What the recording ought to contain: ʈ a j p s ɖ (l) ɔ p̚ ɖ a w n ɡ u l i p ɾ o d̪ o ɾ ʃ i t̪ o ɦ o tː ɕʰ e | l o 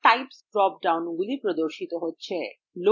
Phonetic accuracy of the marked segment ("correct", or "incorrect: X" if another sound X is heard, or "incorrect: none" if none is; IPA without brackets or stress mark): incorrect: ɾ